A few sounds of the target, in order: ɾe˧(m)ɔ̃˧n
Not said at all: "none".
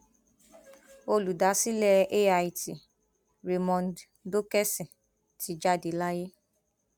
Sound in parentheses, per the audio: m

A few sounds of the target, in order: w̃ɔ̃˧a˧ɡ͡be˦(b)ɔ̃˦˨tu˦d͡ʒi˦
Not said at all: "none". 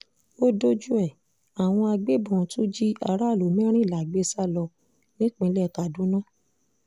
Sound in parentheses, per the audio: b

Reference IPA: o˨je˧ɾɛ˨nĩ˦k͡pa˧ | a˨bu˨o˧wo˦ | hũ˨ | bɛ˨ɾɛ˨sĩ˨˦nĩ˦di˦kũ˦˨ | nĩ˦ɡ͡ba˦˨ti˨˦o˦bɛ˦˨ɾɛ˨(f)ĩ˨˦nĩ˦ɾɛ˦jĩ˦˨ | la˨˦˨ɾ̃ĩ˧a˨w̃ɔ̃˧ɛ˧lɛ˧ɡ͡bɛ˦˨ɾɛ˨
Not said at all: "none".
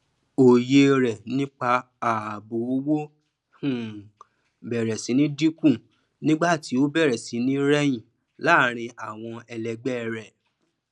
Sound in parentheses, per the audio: s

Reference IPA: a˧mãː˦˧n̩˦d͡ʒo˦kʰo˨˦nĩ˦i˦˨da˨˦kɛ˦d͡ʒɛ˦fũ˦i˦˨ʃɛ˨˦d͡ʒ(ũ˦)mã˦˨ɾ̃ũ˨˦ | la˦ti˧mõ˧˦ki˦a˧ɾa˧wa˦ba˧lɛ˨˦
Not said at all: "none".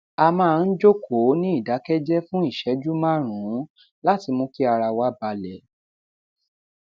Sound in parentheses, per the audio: u˦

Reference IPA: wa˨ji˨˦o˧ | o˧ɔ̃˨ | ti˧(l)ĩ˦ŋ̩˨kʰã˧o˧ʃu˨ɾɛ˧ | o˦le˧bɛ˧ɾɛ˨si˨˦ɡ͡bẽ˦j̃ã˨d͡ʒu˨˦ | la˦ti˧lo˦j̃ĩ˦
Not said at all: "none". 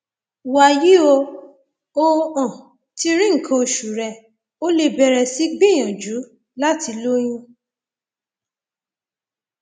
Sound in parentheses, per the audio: ɾ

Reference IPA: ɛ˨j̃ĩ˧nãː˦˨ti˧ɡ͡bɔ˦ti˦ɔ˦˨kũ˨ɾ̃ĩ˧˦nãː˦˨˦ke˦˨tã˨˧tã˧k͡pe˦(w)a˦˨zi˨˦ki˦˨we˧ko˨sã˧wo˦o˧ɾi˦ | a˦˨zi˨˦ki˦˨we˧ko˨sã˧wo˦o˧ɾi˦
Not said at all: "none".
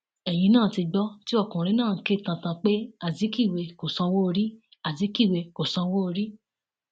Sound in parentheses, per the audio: none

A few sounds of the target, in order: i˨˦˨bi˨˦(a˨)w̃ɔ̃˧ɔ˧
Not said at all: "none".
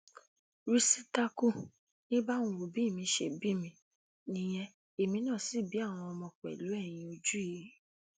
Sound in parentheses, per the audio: a˦˨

